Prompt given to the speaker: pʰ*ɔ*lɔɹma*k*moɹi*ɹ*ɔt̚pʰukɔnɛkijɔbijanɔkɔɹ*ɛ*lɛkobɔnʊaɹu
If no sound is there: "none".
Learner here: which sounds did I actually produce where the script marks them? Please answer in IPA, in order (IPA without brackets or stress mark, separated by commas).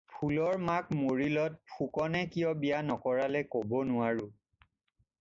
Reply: u, k, l, a